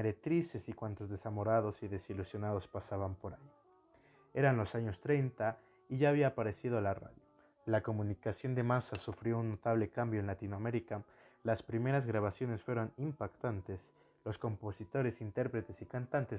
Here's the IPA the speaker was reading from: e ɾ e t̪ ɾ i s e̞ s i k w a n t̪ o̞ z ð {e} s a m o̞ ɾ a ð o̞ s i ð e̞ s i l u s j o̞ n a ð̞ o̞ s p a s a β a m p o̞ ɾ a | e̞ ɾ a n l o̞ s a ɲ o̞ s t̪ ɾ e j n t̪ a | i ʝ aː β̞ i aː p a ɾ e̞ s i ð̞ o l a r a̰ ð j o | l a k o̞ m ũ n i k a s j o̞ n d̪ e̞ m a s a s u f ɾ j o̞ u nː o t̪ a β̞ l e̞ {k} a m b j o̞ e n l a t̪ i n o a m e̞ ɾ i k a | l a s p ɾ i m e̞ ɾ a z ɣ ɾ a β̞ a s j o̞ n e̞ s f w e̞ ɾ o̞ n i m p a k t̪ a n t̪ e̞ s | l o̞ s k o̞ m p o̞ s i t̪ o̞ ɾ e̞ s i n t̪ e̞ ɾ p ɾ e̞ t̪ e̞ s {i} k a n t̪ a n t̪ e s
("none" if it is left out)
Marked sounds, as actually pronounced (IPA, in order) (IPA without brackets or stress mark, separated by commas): e, k, i